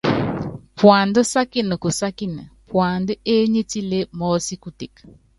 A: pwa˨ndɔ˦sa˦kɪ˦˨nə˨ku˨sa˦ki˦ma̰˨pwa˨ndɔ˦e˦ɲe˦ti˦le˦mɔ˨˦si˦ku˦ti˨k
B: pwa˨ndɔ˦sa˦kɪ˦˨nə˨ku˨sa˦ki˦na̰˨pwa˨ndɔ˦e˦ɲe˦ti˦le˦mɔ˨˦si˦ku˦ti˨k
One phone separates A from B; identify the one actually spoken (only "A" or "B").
B